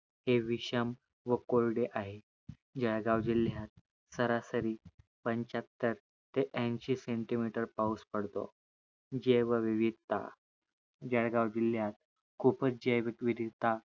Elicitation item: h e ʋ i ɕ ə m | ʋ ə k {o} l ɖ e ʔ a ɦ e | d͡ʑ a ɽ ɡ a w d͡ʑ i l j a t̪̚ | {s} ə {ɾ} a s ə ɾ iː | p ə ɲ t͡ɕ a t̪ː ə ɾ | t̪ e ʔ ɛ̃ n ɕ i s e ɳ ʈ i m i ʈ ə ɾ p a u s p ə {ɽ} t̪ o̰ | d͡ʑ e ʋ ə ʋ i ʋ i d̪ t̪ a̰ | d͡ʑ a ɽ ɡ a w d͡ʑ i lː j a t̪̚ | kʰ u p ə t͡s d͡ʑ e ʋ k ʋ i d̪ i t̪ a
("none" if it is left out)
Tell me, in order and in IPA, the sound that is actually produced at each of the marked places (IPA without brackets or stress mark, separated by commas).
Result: o, s, ɾ, ɽ